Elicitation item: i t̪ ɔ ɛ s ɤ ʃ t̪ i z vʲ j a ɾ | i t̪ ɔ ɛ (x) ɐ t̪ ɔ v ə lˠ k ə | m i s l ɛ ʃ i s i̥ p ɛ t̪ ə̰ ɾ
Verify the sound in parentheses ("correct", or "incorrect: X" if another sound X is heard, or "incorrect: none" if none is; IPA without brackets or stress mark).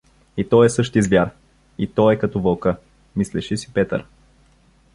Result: incorrect: k